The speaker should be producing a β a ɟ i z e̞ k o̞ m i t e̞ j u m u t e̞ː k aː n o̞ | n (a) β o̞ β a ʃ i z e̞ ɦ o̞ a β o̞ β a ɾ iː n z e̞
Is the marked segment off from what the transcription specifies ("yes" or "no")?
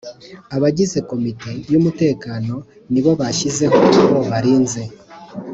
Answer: yes